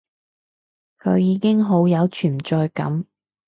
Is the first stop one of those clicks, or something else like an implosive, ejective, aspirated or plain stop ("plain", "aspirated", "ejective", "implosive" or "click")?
aspirated